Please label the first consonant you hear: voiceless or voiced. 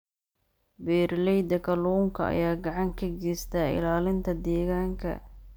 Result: voiced